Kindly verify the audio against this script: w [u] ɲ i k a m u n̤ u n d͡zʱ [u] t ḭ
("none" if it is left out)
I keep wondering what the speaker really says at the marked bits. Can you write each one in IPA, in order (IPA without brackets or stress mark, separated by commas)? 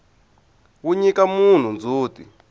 u, uː